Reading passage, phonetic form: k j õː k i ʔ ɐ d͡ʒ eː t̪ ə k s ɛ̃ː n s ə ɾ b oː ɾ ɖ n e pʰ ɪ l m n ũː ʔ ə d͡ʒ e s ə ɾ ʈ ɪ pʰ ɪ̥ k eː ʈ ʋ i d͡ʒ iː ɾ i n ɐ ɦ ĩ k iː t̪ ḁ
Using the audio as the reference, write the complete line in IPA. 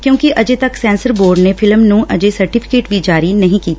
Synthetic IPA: k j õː k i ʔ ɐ d͡ʒ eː t̪ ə k s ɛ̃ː n s ə ɾ b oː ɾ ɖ n e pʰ ɪ l m n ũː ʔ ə d͡ʒ e s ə ɾ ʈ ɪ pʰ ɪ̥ k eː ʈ ʋ i d͡ʒ aː ɾ i n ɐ ɦ ĩ k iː t̪ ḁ